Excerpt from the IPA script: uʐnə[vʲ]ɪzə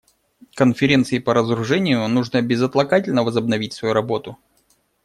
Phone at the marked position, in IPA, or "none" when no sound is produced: bʲ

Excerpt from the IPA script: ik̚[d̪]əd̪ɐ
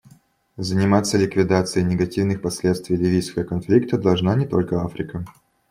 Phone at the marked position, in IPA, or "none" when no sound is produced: t̪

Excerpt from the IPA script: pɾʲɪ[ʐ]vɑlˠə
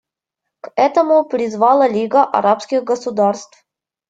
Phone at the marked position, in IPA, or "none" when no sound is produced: z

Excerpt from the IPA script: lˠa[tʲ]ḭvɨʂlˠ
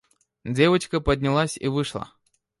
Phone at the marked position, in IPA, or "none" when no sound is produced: sʲ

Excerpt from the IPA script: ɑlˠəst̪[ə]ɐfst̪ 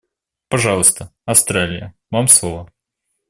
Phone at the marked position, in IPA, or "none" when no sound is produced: ə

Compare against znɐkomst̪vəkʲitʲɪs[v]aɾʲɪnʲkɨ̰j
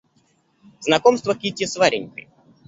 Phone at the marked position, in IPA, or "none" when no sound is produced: v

